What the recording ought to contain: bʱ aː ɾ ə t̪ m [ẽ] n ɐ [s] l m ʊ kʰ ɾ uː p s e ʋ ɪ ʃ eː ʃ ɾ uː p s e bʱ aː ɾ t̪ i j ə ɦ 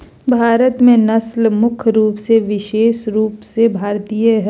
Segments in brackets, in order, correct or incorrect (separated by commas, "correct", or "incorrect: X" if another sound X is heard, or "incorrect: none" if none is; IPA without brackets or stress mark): correct, correct